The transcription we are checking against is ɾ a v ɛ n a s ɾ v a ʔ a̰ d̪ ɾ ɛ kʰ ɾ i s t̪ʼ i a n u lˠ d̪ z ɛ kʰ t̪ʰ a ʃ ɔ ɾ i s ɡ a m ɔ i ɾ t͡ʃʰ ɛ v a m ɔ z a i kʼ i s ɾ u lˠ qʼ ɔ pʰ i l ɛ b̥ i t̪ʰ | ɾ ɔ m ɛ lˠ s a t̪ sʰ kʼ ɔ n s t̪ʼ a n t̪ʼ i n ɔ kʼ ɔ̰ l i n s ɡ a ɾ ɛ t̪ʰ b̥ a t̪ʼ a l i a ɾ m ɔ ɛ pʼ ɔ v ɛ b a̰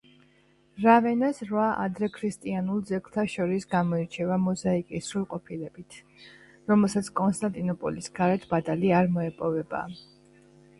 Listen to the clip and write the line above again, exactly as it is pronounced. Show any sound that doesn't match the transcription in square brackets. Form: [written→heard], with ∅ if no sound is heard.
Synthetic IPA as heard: ɾ a v ɛ n a s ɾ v a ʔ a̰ d̪ ɾ ɛ kʰ ɾ i s t̪ʼ i a n u lˠ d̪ z ɛ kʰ t̪ʰ a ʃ ɔ ɾ i s ɡ a m ɔ i ɾ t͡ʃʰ ɛ v a m ɔ z a i kʼ i s ɾ u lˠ qʼ ɔ pʰ i l ɛ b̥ i t̪ʰ | ɾ ɔ m ɛ lˠ s a t̪ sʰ kʼ ɔ n s t̪ʼ a n t̪ʼ i n ɔ [kʼ→pʼ] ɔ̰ l i [n→∅] s ɡ a ɾ ɛ t̪ʰ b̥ a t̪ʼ a l i a ɾ m ɔ ɛ pʼ ɔ v ɛ b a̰